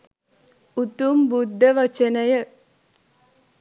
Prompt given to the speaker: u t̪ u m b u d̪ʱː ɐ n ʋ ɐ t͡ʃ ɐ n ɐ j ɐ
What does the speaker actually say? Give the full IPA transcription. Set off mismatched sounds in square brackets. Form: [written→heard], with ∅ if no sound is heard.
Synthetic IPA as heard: u t̪ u m b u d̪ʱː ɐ [n→∅] ʋ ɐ t͡ʃ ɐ n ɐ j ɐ